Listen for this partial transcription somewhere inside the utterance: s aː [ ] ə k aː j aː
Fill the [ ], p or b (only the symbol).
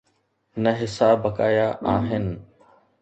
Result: b